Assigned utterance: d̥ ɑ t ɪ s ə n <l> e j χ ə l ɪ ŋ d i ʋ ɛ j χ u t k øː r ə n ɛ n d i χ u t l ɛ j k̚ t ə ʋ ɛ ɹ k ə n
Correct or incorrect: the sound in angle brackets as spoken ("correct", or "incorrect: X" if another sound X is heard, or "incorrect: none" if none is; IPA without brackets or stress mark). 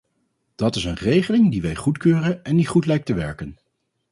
incorrect: r